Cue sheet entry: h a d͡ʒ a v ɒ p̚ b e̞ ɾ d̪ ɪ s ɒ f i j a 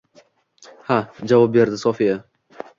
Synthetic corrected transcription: h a d͡ʒ a v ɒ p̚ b e̞ ɾ d̪ ɪ s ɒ f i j a

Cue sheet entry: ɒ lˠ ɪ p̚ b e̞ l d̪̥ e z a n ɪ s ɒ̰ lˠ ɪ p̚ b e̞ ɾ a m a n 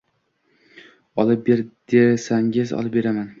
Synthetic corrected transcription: ɒ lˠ ɪ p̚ b e̞ ɾ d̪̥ e s a ŋ ɪ z ɒ̰ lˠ ɪ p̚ b e̞ ɾ a m a n

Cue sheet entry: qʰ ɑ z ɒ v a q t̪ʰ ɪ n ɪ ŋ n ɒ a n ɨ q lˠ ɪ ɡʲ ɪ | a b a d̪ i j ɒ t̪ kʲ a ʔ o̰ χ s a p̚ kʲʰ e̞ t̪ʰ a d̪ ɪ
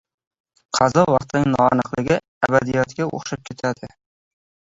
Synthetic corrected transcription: qʰ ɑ z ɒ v ɑ q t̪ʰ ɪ n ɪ ŋ n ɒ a n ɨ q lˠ ɪ ɡʲ ɪ | a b a d̪ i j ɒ t̪ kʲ a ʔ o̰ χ ʃ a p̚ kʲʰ e̞ t̪ʰ a d̪ ɪ

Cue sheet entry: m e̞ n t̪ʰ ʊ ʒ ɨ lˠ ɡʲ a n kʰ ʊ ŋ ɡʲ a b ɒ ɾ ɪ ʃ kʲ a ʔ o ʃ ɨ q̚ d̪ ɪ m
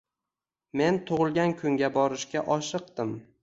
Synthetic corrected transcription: m e̞ n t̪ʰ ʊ ʁ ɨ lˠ ɡʲ a n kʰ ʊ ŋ ɡʲ a b ɒ ɾ ɪ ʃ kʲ a ʔ ɒ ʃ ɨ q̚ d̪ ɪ m

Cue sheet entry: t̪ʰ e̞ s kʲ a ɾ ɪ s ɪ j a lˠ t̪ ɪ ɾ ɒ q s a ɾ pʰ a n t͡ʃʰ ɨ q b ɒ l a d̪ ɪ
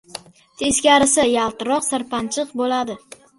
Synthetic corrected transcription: t̪ʰ e̞ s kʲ a ɾ ɪ s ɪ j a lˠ t̪ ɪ ɾ ɒ q s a ɾ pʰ a n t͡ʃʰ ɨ q b o l a d̪ ɪ

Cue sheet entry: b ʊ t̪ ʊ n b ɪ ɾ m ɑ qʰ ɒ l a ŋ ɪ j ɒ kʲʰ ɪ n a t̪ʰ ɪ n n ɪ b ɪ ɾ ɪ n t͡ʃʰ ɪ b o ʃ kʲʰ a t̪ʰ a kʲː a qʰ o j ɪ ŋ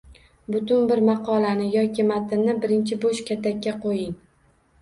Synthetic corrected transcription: b ʊ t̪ ʊ n b ɪ ɾ m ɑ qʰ ɒ l a n ɪ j ɒ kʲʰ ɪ m a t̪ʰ ɪ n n ɪ b ɪ ɾ ɪ n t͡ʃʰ ɪ b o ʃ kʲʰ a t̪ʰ a kʲː a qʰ o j ɪ ŋ

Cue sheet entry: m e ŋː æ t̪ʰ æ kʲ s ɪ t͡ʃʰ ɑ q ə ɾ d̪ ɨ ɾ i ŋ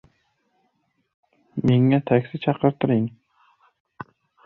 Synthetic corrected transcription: m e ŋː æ t̪ʰ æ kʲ s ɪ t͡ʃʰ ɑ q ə ɾ t̪ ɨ ɾ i ŋ

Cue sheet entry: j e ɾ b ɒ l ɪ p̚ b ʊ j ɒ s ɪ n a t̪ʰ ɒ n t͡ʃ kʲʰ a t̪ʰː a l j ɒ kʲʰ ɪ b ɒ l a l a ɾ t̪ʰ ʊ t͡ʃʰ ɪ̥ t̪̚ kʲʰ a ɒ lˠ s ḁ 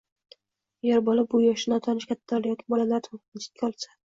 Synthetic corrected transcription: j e ɾ b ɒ l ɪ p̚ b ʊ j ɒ ʃ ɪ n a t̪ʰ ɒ n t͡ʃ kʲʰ a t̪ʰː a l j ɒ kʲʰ ɪ b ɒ l a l a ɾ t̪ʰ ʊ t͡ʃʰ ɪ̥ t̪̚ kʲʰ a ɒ lˠ s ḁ

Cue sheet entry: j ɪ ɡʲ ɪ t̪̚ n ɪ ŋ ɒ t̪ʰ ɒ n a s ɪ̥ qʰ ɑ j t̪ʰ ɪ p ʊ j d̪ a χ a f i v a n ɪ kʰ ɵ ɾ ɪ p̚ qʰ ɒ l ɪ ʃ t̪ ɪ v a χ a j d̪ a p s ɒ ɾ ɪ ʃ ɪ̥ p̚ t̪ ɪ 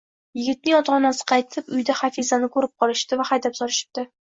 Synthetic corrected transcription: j ɪ ɡʲ ɪ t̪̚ n ɪ ŋ ɒ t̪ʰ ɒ n a s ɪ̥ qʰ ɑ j t̪ʰ ɪ p ʊ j d̪ a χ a f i z a n ɪ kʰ ɵ ɾ ɪ p̚ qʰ ɒ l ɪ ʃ t̪ ɪ v a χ a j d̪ a p s ɒ ɾ ɪ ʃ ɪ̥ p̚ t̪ ɪ

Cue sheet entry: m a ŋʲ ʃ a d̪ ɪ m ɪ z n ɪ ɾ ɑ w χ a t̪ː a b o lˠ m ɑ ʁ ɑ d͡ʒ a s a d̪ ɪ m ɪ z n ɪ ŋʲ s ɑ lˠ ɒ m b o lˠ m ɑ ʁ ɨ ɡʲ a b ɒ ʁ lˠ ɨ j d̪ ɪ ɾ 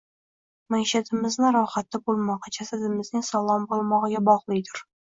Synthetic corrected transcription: m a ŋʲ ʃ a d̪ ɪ m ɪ z n ɪ ɾ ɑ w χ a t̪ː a b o lˠ m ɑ ʁ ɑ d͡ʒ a s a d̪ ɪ m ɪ z n ɪ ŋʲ s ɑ lˠ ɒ m b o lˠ m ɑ ʁ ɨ ɡʲ a b ɒ ʁ lˠ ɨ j d̪ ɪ ɾ

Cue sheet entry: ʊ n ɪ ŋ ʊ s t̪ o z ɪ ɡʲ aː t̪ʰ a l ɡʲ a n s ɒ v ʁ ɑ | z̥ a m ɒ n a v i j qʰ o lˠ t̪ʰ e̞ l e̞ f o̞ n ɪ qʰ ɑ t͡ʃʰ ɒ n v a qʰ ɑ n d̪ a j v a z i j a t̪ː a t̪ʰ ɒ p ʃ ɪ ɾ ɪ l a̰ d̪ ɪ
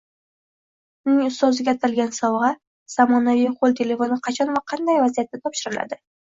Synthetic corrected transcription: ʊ n ɪ ŋ ʊ s t̪ ɒ z ɪ ɡʲ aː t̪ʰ a l ɡʲ a n s ɒ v ʁ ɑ | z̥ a m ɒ n a v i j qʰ o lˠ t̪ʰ e̞ l e̞ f o̞ n ɪ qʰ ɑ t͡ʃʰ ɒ n v a qʰ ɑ n d̪ a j v a z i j a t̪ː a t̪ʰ ɒ p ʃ ɪ ɾ ɪ l a̰ d̪ ɪ

